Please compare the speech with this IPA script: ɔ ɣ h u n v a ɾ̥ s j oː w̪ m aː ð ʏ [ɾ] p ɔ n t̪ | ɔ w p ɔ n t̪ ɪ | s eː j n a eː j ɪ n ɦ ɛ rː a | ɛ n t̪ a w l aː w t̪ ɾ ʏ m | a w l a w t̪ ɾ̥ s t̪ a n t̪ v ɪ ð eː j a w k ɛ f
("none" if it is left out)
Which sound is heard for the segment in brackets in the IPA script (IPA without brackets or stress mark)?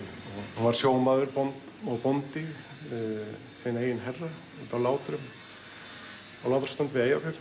ɾ